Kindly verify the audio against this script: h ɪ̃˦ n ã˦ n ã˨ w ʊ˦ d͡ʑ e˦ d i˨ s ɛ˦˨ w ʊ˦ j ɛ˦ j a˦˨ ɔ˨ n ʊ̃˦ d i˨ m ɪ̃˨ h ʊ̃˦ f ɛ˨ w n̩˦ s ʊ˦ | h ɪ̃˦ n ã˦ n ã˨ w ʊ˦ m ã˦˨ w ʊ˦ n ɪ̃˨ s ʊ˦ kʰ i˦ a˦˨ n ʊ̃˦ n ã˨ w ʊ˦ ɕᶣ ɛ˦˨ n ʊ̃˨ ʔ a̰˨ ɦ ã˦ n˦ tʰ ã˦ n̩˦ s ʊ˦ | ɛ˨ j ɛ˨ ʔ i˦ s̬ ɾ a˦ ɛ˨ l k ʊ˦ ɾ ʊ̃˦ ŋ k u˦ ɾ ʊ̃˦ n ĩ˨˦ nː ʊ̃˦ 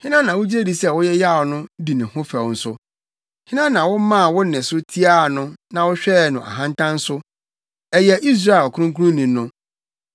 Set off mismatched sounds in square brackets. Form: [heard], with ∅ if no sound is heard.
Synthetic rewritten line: h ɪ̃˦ n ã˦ n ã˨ w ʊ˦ d͡ʑ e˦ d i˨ s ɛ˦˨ w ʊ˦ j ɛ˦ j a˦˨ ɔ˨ n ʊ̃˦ d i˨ [n] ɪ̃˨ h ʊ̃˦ f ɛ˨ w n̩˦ s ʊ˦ | h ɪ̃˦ n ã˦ n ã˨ w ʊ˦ m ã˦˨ w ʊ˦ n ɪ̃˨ s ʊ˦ [tʰ] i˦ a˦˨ n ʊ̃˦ n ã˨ w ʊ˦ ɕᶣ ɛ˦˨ n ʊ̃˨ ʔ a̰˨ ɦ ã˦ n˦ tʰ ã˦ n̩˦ s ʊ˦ | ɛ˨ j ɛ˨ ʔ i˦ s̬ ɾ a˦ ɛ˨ l k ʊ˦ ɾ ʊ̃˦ ŋ k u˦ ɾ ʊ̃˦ n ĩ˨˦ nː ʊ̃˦